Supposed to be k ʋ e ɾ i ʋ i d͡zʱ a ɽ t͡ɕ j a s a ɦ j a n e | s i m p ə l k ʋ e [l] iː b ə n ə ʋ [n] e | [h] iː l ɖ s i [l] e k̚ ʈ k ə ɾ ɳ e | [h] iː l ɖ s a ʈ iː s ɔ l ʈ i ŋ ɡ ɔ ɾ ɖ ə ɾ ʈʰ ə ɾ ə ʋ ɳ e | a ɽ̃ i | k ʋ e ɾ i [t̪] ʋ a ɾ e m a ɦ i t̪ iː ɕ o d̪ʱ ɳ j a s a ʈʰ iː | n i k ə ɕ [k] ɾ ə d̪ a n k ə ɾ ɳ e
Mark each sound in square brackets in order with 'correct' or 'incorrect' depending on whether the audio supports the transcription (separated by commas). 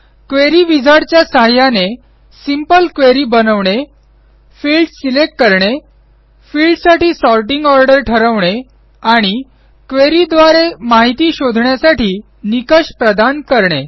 incorrect, incorrect, incorrect, correct, incorrect, incorrect, incorrect